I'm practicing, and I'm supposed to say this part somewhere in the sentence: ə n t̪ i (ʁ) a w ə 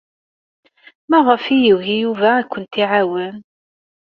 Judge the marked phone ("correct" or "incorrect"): incorrect